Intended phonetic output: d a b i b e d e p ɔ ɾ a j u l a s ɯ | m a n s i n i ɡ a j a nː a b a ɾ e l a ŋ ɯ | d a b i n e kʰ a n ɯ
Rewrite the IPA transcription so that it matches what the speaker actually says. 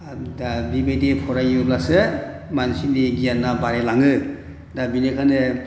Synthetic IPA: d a b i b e d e pʰ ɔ ɾ a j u l a s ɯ | m a n s i n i ɡ i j a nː a b a ɾ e l a ŋ ɯ | d a b i n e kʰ a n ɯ